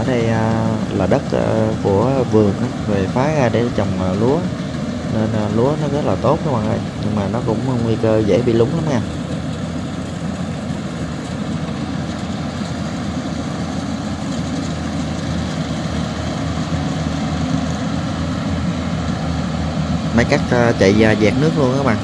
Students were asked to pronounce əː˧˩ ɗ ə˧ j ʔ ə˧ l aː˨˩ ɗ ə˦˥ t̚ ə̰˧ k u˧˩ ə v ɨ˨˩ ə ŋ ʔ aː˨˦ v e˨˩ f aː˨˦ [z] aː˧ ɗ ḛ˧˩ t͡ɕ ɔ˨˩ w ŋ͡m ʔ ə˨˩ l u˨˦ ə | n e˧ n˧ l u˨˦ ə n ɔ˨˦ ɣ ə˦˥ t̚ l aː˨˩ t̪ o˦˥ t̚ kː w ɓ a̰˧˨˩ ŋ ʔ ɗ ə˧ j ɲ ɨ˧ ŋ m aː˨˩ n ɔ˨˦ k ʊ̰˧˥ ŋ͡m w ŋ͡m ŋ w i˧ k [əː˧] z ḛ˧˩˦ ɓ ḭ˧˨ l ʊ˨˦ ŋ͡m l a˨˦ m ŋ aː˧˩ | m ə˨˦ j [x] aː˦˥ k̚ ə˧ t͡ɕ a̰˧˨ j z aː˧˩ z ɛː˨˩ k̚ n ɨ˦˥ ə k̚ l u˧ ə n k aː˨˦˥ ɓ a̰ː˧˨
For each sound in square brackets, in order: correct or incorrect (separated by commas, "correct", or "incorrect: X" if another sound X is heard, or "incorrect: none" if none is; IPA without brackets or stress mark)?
incorrect: ɣ, correct, incorrect: k